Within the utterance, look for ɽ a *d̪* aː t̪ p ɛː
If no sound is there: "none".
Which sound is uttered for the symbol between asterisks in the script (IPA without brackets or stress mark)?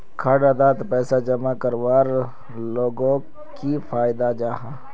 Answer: d̪